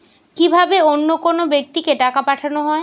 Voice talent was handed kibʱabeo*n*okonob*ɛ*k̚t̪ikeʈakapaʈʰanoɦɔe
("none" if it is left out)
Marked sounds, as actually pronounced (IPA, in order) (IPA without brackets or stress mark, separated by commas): nː, e